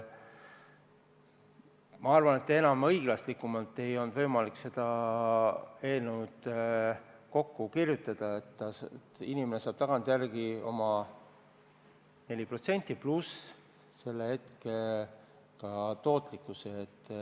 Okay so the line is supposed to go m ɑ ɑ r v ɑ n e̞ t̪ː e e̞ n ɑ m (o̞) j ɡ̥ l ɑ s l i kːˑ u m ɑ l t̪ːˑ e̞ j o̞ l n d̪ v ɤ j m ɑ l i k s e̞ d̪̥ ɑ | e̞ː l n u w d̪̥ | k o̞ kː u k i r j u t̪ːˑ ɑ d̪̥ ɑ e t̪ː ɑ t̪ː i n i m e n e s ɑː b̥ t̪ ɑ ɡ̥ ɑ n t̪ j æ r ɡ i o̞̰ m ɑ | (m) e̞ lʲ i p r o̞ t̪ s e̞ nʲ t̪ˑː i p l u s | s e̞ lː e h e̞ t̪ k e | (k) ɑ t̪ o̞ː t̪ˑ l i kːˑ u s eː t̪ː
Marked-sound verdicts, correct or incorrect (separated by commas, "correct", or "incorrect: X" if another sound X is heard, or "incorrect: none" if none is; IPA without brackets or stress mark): incorrect: ɤ̞, incorrect: n, correct